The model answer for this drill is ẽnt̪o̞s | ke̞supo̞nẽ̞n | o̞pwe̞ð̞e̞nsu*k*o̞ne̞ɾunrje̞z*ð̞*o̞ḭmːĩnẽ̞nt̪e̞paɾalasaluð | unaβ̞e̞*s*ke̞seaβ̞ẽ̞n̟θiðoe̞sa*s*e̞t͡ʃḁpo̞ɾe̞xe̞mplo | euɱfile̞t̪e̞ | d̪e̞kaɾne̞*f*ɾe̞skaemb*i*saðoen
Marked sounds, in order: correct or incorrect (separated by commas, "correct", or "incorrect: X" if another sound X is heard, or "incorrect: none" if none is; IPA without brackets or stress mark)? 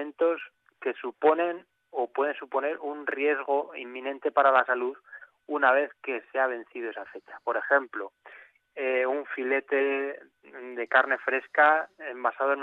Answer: incorrect: p, incorrect: ɣ̞, incorrect: θ, incorrect: f, correct, incorrect: a